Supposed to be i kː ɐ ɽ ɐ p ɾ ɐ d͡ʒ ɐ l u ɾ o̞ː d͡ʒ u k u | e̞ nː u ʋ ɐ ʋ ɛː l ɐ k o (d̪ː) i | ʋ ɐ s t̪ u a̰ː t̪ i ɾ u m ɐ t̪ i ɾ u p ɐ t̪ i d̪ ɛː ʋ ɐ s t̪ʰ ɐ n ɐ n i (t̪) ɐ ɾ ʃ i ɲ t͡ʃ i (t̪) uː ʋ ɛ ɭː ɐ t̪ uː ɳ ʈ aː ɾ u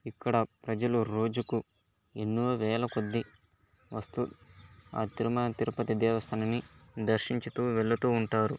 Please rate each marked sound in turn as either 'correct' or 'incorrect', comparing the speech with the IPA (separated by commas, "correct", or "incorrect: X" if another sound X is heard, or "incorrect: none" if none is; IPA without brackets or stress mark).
correct, incorrect: d̪, correct